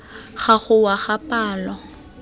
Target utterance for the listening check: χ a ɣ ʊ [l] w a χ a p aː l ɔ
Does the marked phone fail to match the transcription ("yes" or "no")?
yes